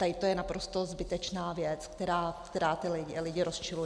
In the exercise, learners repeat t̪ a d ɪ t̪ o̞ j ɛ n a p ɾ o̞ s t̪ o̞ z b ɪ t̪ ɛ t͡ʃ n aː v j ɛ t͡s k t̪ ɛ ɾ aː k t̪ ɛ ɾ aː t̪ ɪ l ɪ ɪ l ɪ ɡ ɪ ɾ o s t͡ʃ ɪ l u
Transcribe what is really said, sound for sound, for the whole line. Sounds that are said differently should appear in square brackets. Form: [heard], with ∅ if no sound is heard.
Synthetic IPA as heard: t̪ a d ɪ t̪ o̞ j ɛ n a p ɾ o̞ s t̪ o̞ z b ɪ t̪ ɛ t͡ʃ n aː v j ɛ t͡s k t̪ ɛ ɾ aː k t̪ ɛ ɾ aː t̪ ɪ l ɪ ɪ l ɪ [ɟ] ɪ ɾ o s t͡ʃ ɪ l u